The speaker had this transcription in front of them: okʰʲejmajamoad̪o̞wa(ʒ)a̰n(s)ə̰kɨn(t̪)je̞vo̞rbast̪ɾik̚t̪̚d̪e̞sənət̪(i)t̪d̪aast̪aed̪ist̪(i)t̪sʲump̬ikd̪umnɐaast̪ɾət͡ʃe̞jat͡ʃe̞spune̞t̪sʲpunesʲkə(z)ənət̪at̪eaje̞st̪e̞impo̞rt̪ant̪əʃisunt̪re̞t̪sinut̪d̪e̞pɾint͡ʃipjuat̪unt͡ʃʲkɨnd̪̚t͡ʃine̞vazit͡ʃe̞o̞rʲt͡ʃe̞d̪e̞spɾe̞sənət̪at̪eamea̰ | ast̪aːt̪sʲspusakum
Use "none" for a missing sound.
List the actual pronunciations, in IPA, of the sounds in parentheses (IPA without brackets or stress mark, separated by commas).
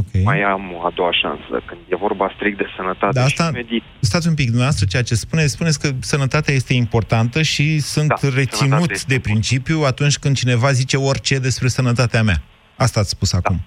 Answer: ʃ, s, d̪, a, a, s